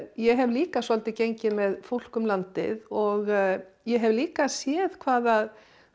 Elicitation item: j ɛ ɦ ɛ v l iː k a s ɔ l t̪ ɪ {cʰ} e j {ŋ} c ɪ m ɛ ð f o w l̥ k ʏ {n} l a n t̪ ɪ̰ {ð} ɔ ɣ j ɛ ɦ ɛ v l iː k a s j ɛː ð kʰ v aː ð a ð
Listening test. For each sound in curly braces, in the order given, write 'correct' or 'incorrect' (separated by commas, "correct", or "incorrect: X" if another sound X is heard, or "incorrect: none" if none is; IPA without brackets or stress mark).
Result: incorrect: c, incorrect: ɲ, incorrect: m, correct